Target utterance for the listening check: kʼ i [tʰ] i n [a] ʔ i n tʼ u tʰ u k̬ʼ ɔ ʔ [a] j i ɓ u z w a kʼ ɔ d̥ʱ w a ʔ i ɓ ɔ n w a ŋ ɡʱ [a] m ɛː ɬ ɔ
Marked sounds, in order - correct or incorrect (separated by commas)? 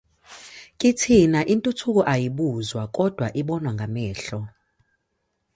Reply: correct, correct, correct, correct